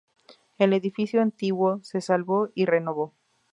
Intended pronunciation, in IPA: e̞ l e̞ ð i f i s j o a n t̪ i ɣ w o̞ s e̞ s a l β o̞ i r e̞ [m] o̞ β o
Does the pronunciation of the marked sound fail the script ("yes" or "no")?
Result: yes